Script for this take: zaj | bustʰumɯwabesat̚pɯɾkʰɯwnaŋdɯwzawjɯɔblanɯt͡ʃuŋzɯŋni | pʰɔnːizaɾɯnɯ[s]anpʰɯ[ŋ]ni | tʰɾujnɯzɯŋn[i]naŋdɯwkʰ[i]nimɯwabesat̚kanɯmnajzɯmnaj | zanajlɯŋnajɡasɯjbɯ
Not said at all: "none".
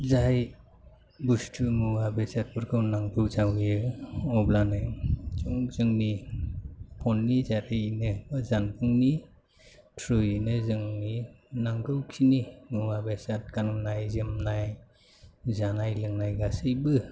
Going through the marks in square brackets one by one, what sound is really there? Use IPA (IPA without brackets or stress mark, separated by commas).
z, ŋ, i, i